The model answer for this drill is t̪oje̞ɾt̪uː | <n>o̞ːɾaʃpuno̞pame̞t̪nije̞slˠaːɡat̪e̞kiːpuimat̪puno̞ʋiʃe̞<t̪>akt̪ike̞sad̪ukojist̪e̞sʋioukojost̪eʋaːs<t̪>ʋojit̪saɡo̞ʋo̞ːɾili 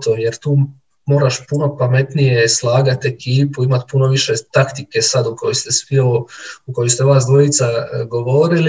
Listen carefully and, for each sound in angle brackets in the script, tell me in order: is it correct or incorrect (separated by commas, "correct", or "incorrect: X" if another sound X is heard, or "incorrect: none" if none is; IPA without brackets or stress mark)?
incorrect: m, correct, incorrect: d̪